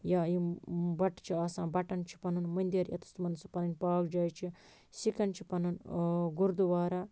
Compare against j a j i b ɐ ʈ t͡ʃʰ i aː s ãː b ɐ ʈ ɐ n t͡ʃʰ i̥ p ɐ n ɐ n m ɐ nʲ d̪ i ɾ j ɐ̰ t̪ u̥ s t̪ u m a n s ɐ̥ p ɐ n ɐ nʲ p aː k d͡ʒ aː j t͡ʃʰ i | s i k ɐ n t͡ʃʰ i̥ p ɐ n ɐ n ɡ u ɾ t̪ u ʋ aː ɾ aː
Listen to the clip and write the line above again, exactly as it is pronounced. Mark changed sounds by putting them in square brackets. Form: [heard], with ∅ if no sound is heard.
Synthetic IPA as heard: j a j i b ɐ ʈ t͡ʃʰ i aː s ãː b ɐ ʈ ɐ n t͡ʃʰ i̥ p ɐ n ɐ n m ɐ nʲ d̪ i ɾ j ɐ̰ t̪ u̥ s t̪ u m [ɐ] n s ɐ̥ p ɐ n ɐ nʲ p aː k d͡ʒ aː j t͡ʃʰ i | s i k ɐ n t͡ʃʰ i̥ p ɐ n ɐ n ɡ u ɾ [d̪] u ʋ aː ɾ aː